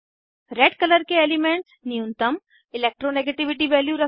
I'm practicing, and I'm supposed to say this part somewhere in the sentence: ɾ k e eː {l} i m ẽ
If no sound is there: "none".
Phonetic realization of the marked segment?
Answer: l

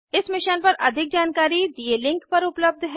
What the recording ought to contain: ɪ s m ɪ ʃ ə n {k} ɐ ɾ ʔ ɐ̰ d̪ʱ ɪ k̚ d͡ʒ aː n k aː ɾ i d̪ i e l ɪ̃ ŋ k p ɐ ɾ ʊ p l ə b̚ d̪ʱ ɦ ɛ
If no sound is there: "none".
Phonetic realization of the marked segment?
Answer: p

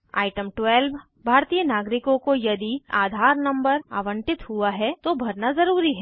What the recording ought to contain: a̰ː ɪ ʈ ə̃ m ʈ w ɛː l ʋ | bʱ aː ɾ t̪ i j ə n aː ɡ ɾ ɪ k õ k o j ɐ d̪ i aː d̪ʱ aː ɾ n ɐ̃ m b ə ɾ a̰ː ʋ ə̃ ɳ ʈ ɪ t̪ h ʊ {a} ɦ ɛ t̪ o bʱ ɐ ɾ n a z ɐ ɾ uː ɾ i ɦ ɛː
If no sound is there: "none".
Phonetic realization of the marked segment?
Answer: a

